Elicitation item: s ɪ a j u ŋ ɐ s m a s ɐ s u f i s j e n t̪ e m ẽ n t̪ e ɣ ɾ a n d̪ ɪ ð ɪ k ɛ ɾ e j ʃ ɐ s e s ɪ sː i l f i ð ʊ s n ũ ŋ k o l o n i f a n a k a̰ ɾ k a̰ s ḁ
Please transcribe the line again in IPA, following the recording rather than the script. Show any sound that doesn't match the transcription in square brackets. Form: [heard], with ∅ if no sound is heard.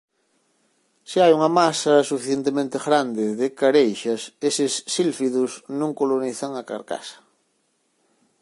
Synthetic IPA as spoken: s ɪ a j u ŋ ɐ [∅] m a s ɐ s u f i [θ] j e n t̪ e m ẽ n t̪ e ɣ ɾ a n d̪ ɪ ð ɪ k [a] ɾ e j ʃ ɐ s e s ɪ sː i l f i ð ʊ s n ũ ŋ k o l o n i [θ] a [ŋ] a k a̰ ɾ k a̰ s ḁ